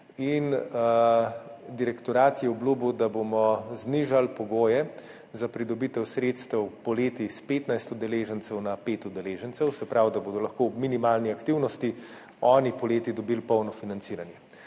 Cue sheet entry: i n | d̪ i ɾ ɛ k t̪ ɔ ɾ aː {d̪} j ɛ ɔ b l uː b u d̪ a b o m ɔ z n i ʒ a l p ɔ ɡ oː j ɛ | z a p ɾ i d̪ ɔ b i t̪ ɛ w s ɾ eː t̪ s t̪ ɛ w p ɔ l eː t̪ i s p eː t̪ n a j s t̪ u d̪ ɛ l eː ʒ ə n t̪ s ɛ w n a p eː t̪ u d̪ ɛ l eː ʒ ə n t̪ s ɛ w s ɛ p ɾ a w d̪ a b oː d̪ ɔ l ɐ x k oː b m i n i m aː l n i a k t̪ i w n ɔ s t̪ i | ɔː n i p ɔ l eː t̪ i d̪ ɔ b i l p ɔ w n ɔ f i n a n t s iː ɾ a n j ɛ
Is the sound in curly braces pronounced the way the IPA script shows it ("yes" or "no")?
no